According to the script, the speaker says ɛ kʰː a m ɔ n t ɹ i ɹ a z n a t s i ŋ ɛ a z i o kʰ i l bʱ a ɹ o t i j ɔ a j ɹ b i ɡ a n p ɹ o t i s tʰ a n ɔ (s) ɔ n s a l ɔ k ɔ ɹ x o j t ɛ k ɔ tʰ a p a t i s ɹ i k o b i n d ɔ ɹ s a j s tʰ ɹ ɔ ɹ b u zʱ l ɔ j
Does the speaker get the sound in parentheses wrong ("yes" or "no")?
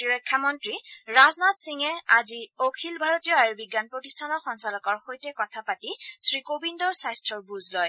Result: yes